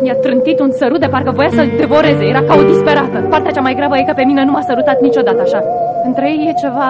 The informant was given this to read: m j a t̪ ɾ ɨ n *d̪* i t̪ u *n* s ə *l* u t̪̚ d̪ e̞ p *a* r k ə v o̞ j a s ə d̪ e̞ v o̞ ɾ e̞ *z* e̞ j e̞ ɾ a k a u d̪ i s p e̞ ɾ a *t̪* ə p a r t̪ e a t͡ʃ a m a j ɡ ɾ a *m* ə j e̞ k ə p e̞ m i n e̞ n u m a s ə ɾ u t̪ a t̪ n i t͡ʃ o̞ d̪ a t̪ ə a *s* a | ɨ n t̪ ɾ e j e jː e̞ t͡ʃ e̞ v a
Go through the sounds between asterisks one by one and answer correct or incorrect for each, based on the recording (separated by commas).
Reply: incorrect, correct, incorrect, correct, correct, correct, incorrect, incorrect